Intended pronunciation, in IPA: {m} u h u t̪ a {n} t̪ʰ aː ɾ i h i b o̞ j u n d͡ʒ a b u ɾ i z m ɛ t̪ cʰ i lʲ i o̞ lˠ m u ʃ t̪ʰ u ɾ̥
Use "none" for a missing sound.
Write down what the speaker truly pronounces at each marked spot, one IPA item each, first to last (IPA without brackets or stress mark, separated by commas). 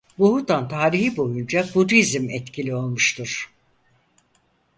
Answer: b, n